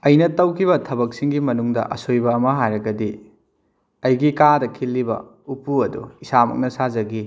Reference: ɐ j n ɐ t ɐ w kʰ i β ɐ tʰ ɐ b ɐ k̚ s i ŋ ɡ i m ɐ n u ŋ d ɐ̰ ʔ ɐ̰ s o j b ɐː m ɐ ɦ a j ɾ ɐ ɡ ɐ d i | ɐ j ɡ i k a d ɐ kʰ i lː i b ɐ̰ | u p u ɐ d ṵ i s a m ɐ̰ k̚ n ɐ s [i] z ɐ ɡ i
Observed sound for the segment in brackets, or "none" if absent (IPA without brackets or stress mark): a